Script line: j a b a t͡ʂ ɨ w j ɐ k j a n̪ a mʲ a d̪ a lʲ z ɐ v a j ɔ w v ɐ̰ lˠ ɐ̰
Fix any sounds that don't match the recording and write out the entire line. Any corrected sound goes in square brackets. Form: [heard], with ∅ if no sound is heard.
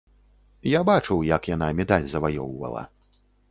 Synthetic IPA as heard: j a b a t͡ʂ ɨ w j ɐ k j a n̪ a mʲ [ɛ] d̪ a lʲ z ɐ v a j ɔ w v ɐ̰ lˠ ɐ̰